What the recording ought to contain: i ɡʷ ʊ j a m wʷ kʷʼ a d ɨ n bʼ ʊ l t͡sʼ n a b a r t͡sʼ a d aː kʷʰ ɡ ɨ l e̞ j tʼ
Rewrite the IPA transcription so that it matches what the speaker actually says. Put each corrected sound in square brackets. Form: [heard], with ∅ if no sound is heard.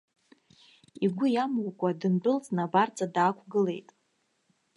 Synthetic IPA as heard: i ɡʷ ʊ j a m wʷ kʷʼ a d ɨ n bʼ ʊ l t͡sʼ n a b a r t͡sʼ a d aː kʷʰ ɡ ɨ l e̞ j tʼ